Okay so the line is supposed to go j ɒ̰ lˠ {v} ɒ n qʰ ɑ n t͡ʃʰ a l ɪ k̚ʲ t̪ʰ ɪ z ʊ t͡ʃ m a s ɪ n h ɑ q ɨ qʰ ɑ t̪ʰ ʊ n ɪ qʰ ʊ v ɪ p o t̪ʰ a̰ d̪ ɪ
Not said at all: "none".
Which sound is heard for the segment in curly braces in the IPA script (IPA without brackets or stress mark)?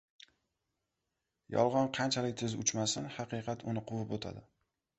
ʁ